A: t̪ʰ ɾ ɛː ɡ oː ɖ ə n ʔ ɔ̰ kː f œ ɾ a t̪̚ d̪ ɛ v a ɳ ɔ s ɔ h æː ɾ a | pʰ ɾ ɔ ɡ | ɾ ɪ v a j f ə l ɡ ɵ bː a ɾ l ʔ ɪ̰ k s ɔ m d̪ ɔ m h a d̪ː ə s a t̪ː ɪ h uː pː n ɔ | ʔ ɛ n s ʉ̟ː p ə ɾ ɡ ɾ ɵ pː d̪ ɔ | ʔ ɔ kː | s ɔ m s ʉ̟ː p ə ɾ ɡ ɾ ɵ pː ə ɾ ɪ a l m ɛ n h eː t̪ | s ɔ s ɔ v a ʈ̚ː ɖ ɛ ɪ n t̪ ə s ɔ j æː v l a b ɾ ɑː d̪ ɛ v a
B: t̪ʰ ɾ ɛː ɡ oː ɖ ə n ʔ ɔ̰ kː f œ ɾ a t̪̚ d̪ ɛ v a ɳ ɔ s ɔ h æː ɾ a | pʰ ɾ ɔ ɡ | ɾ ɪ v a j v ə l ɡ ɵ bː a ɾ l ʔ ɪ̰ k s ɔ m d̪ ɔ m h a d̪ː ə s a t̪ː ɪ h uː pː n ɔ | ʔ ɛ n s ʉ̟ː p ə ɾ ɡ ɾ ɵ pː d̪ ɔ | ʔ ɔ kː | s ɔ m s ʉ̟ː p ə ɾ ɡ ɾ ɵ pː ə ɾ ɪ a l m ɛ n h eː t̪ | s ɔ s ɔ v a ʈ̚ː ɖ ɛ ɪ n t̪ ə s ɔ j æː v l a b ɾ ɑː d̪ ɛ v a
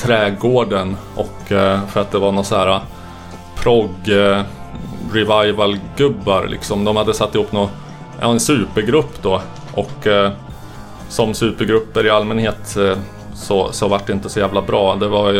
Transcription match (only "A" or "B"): B